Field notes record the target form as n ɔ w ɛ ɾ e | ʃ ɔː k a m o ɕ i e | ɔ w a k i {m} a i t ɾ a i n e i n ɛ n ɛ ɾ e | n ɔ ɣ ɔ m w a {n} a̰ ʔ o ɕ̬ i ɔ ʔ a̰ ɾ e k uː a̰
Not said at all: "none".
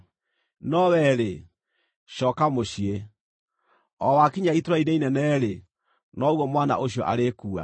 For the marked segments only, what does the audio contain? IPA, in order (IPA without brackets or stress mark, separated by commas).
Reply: ɲ, n